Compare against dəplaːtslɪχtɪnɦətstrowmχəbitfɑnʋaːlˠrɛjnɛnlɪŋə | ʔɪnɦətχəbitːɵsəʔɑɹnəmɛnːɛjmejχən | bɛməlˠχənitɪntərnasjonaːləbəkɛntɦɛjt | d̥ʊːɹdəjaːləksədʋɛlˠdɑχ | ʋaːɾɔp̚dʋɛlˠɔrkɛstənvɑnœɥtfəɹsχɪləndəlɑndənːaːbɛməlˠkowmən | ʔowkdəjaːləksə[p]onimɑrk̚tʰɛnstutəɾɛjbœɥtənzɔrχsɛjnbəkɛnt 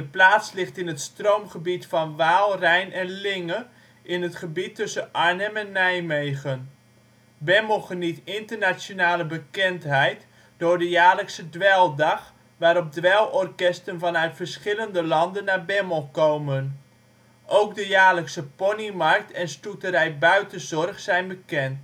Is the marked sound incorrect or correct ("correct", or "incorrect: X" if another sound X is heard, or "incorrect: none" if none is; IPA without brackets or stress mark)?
correct